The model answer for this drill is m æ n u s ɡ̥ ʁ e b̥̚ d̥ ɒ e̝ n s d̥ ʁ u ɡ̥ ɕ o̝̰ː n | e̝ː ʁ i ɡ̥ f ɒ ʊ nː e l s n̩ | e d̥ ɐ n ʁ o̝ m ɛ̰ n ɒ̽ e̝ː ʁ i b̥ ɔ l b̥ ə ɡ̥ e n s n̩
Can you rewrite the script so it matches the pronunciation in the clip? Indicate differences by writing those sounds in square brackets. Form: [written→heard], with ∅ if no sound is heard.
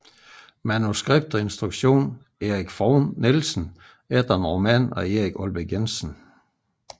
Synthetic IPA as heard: m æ n u s ɡ̥ ʁ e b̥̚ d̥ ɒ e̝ n s d̥ ʁ u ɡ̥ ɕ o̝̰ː n | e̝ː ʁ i ɡ̥ f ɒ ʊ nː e l s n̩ | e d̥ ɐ n ʁ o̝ m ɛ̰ n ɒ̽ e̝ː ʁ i [b̥→ɡ̥] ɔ l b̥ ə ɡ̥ e n s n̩

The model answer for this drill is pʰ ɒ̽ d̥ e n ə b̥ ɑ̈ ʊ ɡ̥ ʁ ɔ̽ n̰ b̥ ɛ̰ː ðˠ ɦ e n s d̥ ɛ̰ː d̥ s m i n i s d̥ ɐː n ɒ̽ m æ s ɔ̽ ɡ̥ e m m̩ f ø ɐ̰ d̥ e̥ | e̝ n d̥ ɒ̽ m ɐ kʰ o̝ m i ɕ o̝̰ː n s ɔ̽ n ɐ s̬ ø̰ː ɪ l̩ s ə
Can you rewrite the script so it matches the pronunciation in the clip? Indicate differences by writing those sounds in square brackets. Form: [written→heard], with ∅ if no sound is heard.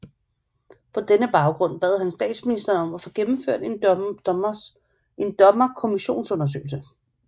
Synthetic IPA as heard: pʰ ɒ̽ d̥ e n ə b̥ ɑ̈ ʊ ɡ̥ ʁ ɔ̽ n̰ b̥ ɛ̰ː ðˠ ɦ [e→æ] n s d̥ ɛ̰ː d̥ s m i n i s d̥ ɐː n ɒ̽ m æ [s→f] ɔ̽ ɡ̥ e m m̩ f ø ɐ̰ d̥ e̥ | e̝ n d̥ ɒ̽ m ɐ kʰ o̝ m i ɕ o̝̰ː n s ɔ̽ n ɐ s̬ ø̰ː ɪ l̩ s ə

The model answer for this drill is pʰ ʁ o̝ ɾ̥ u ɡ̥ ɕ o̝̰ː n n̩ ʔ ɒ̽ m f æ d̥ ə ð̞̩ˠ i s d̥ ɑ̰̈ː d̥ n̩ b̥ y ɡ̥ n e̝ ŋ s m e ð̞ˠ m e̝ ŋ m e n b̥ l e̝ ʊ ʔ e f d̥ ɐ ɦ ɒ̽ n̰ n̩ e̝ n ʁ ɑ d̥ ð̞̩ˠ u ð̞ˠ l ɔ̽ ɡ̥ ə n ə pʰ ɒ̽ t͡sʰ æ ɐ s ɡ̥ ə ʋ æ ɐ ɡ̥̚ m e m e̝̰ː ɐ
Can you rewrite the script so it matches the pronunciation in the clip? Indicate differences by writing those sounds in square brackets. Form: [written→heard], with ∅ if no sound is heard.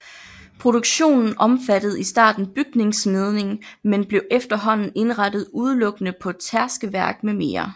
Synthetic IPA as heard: pʰ ʁ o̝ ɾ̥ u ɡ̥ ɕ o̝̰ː n n̩ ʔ ɒ̽ m f æ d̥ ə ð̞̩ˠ i s d̥ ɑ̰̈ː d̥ n̩ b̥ y ɡ̥ n e̝ ŋ s m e ð̞ˠ [m→n] e̝ ŋ m e n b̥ l e̝ ʊ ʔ e f d̥ ɐ ɦ ɒ̽ n̰ n̩ e̝ n ʁ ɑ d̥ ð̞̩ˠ u ð̞ˠ l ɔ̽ ɡ̥ ə n ə pʰ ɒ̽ t͡sʰ æ ɐ s ɡ̥ ə ʋ æ ɐ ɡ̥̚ m e m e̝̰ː ɐ

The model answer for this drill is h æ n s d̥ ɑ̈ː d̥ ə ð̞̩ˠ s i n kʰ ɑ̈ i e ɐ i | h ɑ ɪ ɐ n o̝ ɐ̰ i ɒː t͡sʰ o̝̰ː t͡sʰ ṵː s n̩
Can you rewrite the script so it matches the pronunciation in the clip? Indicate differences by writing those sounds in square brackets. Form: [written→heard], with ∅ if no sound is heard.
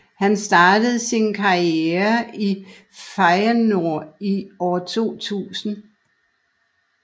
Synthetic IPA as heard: h æ n s d̥ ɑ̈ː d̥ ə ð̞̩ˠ s i n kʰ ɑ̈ i e ɐ i | [h→f] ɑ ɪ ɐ n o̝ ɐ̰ i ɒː t͡sʰ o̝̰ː t͡sʰ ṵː s n̩

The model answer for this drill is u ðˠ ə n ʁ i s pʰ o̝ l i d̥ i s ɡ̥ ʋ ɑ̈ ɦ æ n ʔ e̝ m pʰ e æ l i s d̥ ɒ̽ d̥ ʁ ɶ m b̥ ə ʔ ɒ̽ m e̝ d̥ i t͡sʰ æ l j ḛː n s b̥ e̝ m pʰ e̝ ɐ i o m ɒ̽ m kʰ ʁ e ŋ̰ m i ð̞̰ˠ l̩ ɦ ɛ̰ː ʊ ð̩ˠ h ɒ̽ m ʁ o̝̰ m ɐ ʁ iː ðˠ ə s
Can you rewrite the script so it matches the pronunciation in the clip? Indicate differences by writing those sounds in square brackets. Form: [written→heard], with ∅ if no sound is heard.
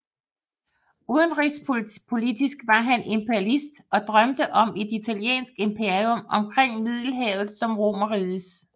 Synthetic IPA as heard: u ðˠ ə n ʁ i s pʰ o̝ l i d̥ i s ɡ̥ ʋ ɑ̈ ɦ æ n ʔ e̝ m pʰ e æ l i s d̥ ɒ̽ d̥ ʁ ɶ m [b̥→d̥] ə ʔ ɒ̽ m e̝ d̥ i t͡sʰ æ l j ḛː n s [b̥→ɡ̥] e̝ m pʰ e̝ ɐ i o m ɒ̽ m kʰ ʁ e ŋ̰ m i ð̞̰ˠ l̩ ɦ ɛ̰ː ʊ ð̩ˠ [h→s] ɒ̽ m ʁ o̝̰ m ɐ ʁ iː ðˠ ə s

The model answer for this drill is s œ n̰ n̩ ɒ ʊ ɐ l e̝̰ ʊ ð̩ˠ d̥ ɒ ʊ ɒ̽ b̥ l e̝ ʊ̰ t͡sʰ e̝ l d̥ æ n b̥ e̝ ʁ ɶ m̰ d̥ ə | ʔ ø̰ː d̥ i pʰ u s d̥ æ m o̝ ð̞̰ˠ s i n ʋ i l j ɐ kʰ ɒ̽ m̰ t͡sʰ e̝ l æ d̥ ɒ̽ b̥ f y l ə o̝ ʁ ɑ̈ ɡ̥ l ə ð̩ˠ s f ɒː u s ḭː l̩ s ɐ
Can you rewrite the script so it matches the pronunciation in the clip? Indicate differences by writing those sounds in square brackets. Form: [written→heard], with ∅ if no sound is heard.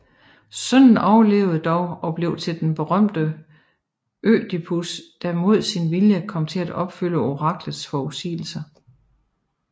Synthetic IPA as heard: s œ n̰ n̩ ɒ ʊ ɐ l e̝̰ ʊ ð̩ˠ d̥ ɒ ʊ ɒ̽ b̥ l e̝ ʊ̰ t͡sʰ e̝ l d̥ [æ→e] n b̥ e̝ ʁ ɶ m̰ d̥ ə | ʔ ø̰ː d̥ i pʰ u s d̥ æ m o̝ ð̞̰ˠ s i n ʋ i l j [ɐ→ə] kʰ ɒ̽ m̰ t͡sʰ e̝ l æ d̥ ɒ̽ b̥ f y l ə o̝ ʁ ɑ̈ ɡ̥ l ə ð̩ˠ s f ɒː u s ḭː l̩ s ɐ

